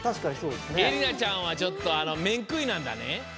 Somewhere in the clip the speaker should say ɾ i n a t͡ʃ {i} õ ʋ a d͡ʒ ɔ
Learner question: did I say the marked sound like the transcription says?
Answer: no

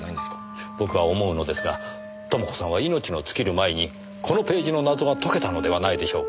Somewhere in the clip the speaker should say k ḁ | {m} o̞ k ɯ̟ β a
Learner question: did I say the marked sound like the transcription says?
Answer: no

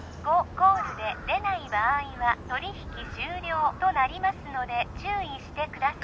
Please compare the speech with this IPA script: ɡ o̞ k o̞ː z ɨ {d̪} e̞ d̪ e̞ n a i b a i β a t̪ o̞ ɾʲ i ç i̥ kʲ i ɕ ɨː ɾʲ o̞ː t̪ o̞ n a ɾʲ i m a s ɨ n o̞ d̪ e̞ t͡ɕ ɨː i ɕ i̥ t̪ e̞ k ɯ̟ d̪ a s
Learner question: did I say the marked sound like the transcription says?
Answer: yes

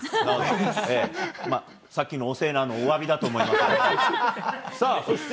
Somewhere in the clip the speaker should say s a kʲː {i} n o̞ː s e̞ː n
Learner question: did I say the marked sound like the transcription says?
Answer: yes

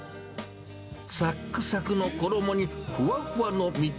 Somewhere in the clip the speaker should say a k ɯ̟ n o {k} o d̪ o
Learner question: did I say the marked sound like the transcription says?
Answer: yes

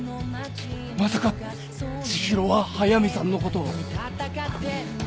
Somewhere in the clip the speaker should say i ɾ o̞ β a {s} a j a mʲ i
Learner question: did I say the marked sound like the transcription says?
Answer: no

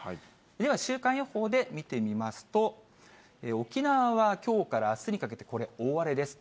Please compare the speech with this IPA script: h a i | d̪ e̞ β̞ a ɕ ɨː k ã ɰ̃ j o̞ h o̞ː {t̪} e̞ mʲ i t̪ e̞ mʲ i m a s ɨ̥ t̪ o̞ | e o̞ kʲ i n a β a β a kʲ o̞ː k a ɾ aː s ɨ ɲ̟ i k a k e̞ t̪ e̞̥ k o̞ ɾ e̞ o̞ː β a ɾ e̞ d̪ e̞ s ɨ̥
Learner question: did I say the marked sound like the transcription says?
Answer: no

